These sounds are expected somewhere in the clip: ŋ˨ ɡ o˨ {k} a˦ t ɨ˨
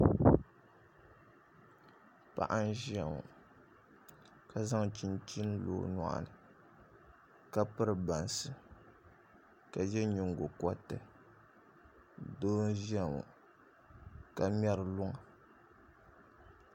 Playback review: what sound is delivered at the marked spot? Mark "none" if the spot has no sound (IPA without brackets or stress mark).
k